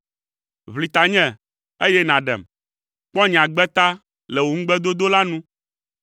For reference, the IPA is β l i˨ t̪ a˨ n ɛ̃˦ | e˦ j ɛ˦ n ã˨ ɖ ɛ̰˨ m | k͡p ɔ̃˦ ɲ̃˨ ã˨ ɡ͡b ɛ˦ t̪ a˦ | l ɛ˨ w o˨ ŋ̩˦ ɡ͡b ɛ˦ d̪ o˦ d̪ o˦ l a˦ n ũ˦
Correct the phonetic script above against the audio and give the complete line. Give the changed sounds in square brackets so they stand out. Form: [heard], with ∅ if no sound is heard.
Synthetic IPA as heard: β l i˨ t̪ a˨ [ɲ] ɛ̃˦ | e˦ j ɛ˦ n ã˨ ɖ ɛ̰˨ m | k͡p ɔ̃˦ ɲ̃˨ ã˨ ɡ͡b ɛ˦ t̪ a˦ | l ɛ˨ w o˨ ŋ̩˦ ɡ͡b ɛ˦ d̪ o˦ d̪ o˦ l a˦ n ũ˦